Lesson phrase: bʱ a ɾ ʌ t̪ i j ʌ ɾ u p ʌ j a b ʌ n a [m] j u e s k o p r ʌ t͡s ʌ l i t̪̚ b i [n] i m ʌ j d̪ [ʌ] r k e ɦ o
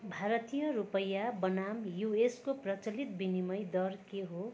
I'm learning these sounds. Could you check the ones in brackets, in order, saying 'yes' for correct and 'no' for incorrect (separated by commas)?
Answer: yes, yes, yes